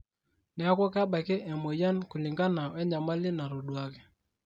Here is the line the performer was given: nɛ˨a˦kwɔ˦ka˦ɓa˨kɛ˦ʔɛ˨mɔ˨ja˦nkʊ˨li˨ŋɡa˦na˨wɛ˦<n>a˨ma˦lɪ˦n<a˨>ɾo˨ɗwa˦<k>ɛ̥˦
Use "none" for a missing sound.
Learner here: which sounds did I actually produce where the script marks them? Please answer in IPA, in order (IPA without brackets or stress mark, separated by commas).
ɲ, a˨, k